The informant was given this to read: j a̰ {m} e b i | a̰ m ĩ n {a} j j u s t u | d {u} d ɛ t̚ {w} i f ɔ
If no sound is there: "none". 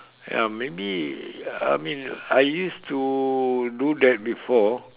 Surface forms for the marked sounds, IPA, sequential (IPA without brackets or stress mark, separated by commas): m, a, u, b